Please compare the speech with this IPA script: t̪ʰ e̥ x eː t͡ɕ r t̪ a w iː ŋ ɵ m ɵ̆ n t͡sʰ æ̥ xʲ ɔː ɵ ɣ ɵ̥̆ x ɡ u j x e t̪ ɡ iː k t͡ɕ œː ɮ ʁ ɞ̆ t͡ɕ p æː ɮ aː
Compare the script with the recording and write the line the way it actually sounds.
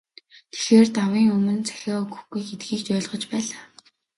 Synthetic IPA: t̪ʰ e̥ x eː r t̪ a w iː ŋ ɵ m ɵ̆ n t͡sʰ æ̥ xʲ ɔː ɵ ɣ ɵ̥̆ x ɡ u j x e t̪ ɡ iː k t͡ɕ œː ɮ ʁ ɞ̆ t͡ɕ p æː ɮ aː